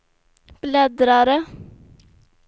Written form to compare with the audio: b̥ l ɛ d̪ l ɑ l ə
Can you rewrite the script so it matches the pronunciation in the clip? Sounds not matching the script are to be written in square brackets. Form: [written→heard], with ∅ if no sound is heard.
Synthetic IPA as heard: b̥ l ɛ d̪ [l→ɾ] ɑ [l→ɾ] ə